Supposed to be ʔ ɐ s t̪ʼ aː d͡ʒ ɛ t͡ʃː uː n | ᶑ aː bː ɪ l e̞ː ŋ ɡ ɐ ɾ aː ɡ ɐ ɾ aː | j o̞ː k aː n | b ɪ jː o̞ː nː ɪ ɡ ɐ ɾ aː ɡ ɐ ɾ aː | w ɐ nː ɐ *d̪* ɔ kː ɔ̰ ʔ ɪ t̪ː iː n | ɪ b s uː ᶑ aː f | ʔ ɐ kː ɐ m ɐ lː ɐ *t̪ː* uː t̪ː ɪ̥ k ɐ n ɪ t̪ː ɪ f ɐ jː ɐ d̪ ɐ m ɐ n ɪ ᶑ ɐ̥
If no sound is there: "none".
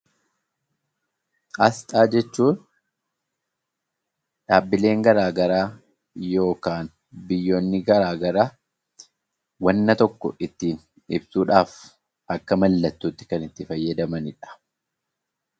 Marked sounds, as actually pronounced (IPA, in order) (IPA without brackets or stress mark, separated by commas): t̪, t̪ː